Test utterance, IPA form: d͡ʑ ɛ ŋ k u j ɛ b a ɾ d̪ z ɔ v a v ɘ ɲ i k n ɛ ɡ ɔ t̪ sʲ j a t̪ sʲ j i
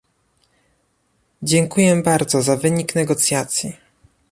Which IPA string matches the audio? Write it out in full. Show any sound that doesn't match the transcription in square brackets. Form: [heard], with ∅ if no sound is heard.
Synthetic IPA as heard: d͡ʑ ɛ ŋ k u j ɛ b a ɾ d̪ z ɔ [z] a v ɘ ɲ i k n ɛ ɡ ɔ t̪ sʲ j a t̪ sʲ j i